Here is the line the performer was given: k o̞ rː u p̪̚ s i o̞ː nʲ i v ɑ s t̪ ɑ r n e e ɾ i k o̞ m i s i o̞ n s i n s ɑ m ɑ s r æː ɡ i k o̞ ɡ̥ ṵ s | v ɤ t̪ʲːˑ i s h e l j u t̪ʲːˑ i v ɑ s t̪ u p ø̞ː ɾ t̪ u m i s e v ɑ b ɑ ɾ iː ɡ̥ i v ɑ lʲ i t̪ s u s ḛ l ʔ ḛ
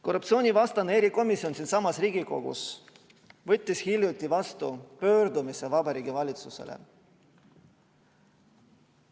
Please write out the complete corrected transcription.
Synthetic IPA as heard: k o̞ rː u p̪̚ s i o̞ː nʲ i v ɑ s t̪ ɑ n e e ɾ i k o̞ m i s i o̞ n s i n s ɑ m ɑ s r iː ɡ i k o̞ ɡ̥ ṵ s | v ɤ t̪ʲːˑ i s h i l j u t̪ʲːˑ i v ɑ s t̪ u p ø̞ː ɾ d̪ u m i s e v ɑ b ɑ ɾ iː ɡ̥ i v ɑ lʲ i t̪ s u s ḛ l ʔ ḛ